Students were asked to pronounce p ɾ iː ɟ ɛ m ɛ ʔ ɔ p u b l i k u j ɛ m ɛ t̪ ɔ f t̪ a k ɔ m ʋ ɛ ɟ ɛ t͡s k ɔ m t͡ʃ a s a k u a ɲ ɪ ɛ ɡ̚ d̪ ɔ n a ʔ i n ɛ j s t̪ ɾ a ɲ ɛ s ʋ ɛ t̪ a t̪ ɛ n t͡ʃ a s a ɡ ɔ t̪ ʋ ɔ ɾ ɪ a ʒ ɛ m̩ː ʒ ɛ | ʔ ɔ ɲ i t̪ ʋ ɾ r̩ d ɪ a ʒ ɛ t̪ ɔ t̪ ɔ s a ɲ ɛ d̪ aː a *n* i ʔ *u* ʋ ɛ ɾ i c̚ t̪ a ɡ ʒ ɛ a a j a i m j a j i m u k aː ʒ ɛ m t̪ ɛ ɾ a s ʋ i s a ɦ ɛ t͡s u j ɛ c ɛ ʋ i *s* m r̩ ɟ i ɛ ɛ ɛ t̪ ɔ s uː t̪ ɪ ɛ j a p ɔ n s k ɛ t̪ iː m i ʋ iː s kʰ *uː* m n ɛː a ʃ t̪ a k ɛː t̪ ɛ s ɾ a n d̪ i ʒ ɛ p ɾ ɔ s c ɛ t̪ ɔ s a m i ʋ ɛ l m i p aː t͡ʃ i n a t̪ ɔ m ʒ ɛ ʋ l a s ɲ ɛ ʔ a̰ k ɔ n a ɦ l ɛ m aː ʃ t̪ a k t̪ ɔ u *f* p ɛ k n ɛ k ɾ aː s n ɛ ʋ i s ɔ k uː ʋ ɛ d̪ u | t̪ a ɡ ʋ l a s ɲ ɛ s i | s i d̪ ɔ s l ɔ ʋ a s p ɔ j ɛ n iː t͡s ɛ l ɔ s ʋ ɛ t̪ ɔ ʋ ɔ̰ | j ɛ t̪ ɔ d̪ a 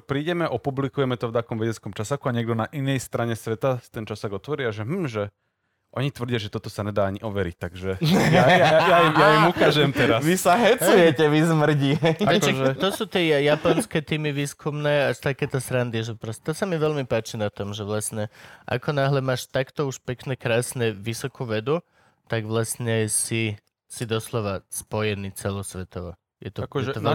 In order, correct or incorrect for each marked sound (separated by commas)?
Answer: incorrect, incorrect, incorrect, incorrect, incorrect